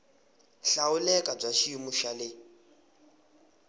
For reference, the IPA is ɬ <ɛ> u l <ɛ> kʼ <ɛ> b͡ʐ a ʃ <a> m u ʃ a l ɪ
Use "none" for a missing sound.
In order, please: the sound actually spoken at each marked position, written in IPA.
a, ɛ, a, i

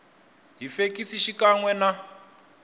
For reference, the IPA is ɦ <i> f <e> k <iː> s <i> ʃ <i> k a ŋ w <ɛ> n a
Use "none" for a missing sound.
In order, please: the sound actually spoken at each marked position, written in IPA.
i, e, i, i, i, ɛ

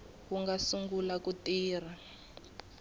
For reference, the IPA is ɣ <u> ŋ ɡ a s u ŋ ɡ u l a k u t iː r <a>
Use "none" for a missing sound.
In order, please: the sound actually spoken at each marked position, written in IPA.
u, a

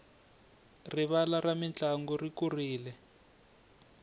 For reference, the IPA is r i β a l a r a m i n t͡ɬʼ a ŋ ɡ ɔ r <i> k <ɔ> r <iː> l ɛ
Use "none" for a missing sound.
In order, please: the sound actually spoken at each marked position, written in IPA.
i, u, iː

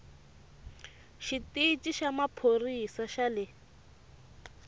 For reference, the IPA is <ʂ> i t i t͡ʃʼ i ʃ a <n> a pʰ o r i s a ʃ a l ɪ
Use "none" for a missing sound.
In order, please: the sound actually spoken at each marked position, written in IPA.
ʃ, m

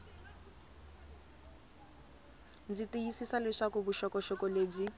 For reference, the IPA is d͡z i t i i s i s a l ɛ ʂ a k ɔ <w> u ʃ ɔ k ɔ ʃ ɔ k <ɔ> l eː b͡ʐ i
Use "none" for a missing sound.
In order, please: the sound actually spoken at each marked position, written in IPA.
b, ɔ

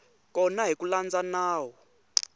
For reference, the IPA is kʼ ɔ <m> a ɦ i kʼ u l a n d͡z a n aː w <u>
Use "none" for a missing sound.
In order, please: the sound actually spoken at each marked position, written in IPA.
n, ɔ

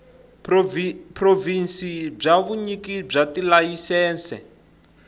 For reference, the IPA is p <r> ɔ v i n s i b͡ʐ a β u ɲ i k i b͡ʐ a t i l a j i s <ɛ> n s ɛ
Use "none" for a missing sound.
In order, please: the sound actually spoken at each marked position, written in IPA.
r, ɛː

